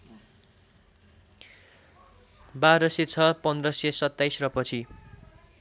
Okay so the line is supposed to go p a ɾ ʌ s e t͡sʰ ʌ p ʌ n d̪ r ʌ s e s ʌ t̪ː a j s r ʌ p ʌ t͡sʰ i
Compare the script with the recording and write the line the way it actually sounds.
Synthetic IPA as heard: b a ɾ ʌ s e t͡sʰ ʌ p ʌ n d̪ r ʌ s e s ʌ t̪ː a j s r ʌ p ʌ t͡sʰ i

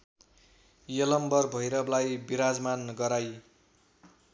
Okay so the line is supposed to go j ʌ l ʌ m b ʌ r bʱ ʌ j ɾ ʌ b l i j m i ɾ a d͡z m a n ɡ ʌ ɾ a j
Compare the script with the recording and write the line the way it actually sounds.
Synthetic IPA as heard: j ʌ l ʌ m b ʌ r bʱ ʌ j ɾ ʌ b l a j b i ɾ a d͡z m a n ɡ ʌ ɾ a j

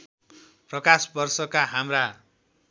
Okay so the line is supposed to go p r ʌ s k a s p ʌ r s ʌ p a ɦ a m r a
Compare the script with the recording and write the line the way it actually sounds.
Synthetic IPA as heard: p r ʌ k a s b ʌ r s ʌ k a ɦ a m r a

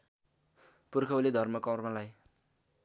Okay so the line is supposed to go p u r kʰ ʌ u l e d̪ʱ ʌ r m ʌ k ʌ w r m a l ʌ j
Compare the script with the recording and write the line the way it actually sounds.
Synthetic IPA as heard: p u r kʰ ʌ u l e d̪ʱ ʌ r m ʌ k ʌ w r m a l a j

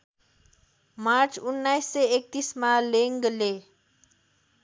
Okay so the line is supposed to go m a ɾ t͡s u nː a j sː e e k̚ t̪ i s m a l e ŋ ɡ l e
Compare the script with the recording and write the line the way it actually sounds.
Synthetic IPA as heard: m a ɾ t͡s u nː a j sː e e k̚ t̪ i s m a l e ŋ ɡ l e

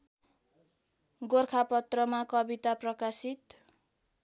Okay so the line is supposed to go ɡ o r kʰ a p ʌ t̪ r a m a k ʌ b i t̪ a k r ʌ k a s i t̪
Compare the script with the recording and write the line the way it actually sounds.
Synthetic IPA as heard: ɡ o r kʰ a p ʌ t̪ r ʌ m a k ʌ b i t̪ a p r ʌ k a s i t̪

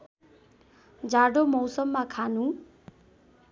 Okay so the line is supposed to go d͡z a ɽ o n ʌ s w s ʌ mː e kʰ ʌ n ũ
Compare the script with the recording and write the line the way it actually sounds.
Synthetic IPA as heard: d͡z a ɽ o m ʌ w s ʌ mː a kʰ a n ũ

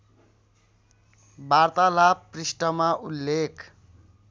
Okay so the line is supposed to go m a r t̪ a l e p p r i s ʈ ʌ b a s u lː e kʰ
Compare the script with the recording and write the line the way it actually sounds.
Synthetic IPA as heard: b a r t̪ a l a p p r i s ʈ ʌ m a u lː e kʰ

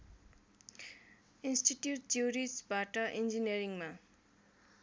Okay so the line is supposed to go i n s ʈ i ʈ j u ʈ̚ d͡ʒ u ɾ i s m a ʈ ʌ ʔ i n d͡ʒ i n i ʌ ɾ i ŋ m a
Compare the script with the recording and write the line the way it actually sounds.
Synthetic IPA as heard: i n s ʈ i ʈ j u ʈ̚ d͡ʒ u ɾ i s b a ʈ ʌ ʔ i n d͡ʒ i n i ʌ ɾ i ŋ m a

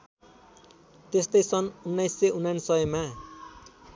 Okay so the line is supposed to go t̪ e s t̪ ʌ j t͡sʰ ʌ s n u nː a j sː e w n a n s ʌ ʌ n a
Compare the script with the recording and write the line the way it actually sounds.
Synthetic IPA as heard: t̪ e s t̪ ʌ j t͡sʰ ʌ n u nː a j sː e u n a n s ʌ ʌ m a

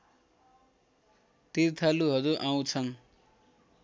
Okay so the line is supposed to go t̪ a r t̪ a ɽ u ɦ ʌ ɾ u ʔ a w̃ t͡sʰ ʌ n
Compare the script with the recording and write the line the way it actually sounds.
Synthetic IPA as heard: t̪ i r t̪ʰ a l u ɦ ʌ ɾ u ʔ a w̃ t͡sʰ ʌ n

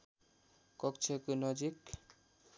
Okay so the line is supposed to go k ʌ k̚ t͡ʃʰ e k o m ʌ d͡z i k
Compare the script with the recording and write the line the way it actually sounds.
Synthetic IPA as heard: k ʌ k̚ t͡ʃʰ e k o n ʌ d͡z i k

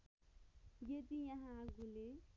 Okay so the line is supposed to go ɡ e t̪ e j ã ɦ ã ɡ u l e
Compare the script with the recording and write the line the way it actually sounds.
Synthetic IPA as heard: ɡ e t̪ i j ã ɦ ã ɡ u l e

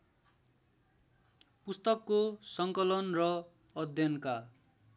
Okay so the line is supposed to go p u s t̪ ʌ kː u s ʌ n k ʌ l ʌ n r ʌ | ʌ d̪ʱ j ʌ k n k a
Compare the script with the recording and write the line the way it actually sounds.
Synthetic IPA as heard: p u s t̪ ʌ kː o s ʌ ŋ k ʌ l ʌ n r ʌ | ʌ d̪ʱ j ʌ n k a

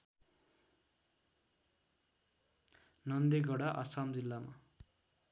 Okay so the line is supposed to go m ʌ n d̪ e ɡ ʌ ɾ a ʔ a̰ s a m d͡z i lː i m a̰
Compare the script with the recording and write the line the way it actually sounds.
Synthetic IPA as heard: n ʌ n d̪ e ɡ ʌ ɽ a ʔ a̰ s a m d͡z i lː a m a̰

